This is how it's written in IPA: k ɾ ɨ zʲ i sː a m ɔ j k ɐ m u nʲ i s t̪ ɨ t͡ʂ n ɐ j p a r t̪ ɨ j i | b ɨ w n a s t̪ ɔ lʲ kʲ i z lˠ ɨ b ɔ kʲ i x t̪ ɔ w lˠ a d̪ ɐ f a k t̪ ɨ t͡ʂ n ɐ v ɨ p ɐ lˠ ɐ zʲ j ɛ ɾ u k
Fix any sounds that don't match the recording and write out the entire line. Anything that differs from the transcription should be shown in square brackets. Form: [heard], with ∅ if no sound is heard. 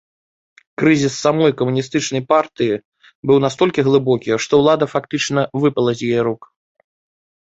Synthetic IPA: k ɾ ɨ zʲ i sː a m ɔ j k ɐ m u nʲ i s t̪ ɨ t͡ʂ n ɐ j p a r t̪ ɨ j i | b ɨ w n a s t̪ ɔ lʲ kʲ i [ɣ] lˠ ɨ b ɔ kʲ i [ʂ] t̪ ɔ w lˠ a d̪ ɐ f a k t̪ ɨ t͡ʂ n ɐ v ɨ p ɐ lˠ ɐ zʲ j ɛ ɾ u k

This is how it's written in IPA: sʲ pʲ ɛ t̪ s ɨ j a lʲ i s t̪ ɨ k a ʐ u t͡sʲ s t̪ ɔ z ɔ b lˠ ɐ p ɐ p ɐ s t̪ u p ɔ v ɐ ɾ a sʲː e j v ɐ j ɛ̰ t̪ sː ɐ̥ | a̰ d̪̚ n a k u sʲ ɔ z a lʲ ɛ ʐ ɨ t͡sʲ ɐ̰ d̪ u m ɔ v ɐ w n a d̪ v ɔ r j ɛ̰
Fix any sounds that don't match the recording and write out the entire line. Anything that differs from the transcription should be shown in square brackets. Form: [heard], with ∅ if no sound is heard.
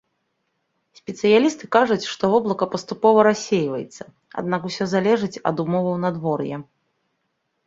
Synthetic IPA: sʲ pʲ ɛ t̪ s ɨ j a lʲ i s t̪ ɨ k a ʐ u t͡sʲ [ʂ] t̪ ɔ [v] ɔ b lˠ ɐ [k] ɐ p ɐ s t̪ u p ɔ v ɐ ɾ a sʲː e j v ɐ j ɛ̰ t̪ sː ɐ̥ | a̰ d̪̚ n a k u sʲ ɔ z a lʲ ɛ ʐ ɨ t͡sʲ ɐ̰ d̪ u m ɔ v ɐ w n a d̪ v ɔ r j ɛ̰

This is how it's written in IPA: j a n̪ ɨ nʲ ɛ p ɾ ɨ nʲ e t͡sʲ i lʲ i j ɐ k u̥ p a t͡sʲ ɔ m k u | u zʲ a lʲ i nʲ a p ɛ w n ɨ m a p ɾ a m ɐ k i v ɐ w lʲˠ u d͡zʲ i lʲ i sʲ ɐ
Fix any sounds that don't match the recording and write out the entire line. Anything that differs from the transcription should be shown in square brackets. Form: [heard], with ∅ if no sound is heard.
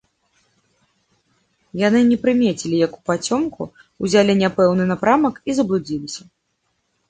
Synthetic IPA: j a n̪ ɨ nʲ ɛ p ɾ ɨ [mʲ] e t͡sʲ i lʲ i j ɐ k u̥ p a t͡sʲ ɔ m k u | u zʲ a lʲ i nʲ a p ɛ w n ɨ [n] a p ɾ a m ɐ k i [z] ɐ [b] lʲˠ u d͡zʲ i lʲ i sʲ ɐ

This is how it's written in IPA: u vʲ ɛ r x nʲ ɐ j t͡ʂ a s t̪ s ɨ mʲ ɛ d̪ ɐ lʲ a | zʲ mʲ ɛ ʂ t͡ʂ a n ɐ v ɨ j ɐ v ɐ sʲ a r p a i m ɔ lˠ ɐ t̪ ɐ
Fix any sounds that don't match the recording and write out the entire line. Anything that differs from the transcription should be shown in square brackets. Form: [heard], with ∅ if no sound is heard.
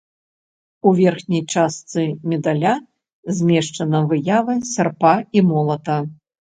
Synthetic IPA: u vʲ ɛ r x nʲ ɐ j t͡ʂ a s t̪ s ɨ mʲ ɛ d̪ [a] lʲ a | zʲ mʲ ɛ ʂ t͡ʂ [ɐ] n ɐ v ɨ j [a] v ɐ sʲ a r p a i m ɔ lˠ ɐ t̪ ɐ

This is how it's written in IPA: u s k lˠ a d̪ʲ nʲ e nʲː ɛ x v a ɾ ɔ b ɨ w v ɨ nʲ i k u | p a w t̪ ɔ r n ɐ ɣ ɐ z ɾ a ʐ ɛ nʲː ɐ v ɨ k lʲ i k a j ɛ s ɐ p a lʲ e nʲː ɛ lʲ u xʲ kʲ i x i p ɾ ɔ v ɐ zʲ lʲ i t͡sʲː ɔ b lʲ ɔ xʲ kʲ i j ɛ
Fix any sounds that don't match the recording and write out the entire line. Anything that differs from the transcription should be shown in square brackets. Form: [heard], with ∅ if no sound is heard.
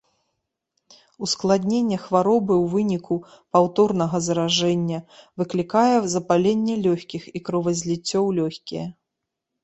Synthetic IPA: u s k lˠ a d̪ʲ nʲ e nʲː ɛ x v a ɾ ɔ b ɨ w v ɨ nʲ i k u | p a w t̪ ɔ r n ɐ ɣ ɐ z ɾ a ʐ ɛ nʲː ɐ v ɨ k lʲ i k a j ɛ [z] ɐ p a lʲ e nʲː ɛ lʲ [ɔ] xʲ kʲ i x i [k] ɾ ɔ v ɐ zʲ lʲ i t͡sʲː ɔ [w] lʲ ɔ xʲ kʲ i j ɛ

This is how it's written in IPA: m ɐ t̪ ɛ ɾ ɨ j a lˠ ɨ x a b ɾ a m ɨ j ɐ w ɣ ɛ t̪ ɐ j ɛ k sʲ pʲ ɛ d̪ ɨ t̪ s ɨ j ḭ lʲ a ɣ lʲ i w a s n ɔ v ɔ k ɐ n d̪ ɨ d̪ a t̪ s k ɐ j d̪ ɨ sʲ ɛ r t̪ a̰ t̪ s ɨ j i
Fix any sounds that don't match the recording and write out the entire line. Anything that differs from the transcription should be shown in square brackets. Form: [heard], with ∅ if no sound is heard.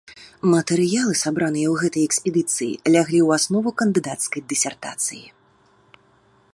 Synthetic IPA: m ɐ t̪ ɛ ɾ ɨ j a lˠ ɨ [s] a b ɾ a [n] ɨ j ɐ w ɣ ɛ t̪ ɐ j ɛ k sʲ pʲ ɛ d̪ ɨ t̪ s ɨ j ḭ lʲ a ɣ lʲ i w a s n ɔ v [u] k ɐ n d̪ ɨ d̪ a t̪ s k ɐ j d̪ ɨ sʲ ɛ r t̪ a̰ t̪ s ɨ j i

